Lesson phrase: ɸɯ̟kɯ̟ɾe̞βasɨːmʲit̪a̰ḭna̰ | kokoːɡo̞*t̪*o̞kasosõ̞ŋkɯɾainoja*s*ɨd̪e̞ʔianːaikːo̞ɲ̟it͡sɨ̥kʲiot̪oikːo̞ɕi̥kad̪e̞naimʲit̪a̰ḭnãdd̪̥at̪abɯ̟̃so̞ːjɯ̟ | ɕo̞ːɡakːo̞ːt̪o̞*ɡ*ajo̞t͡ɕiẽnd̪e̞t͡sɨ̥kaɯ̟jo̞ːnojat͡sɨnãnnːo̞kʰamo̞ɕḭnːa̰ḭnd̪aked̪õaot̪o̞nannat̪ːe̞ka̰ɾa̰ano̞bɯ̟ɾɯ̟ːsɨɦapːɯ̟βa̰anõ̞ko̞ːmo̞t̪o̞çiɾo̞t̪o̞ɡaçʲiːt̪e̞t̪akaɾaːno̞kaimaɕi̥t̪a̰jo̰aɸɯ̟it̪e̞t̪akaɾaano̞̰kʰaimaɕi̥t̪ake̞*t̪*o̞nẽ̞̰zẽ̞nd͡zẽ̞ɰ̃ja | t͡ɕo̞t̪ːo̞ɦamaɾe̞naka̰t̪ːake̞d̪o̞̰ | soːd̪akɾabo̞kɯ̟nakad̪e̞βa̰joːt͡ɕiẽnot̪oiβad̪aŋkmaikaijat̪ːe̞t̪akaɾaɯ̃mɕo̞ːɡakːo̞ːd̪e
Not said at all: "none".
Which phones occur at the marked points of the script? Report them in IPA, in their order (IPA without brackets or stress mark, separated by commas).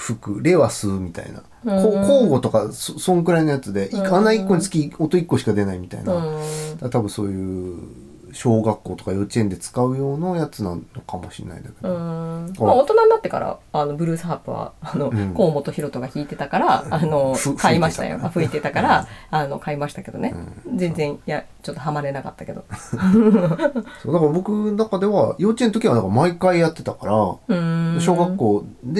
t̪, t͡s, k, d̪